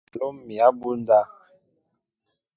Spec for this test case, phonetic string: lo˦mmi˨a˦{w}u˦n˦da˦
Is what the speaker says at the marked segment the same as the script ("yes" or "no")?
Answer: no